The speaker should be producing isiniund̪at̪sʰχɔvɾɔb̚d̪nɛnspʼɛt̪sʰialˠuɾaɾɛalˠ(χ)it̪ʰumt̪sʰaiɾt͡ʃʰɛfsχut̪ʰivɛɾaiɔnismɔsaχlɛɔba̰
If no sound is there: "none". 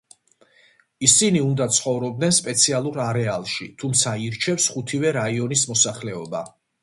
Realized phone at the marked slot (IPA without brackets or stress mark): ʃ